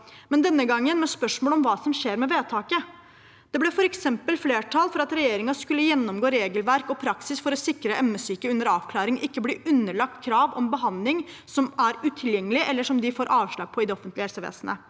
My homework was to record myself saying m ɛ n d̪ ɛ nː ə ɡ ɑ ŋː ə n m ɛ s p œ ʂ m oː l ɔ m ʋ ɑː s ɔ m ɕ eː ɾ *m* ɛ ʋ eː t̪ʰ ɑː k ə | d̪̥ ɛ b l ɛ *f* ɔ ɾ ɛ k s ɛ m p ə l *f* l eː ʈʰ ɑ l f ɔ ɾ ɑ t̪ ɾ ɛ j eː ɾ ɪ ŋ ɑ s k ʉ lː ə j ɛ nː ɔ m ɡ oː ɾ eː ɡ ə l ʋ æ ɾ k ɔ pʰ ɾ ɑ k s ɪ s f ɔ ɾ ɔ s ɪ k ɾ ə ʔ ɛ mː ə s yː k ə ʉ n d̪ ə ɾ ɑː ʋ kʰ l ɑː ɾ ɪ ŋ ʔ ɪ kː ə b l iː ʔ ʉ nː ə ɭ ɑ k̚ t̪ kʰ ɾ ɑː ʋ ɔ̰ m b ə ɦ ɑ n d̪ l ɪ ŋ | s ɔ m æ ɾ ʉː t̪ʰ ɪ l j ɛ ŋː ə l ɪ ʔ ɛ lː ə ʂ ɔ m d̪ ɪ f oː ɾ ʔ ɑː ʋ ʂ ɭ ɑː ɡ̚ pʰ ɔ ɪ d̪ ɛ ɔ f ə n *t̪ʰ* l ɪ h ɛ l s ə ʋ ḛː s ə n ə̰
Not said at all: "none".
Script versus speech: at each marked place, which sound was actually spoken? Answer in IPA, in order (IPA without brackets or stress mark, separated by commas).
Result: m, f, f, t̪